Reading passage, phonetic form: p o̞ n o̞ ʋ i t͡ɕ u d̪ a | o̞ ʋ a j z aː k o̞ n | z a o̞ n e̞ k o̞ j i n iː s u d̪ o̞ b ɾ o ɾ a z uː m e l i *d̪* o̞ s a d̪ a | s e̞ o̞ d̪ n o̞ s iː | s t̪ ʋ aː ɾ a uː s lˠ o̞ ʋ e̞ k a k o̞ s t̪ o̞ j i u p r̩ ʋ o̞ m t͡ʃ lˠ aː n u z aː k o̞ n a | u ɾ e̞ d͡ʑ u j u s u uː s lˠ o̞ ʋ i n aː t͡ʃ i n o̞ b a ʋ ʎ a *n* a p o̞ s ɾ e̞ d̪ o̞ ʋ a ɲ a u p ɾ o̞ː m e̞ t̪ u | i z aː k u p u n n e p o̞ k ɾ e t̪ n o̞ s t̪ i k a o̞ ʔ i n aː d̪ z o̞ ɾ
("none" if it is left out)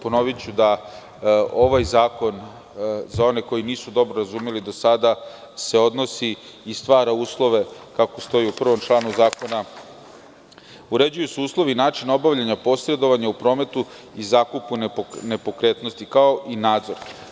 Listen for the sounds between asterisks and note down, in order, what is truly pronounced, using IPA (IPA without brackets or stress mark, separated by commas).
d̪, ɲ